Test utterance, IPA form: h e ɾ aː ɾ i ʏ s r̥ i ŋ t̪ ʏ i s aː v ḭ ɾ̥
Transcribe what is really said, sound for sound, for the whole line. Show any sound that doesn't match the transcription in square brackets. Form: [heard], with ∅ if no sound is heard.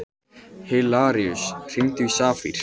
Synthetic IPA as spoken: h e [l] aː ɾ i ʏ s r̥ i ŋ t̪ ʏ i s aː [f] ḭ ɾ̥